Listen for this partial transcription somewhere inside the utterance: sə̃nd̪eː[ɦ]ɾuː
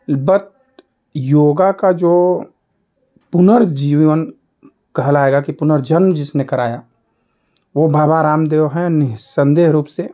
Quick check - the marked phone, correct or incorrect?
correct